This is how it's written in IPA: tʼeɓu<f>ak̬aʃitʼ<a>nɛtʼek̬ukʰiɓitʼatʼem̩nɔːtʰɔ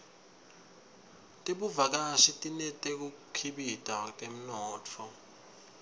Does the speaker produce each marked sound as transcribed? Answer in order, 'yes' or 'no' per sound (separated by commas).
no, no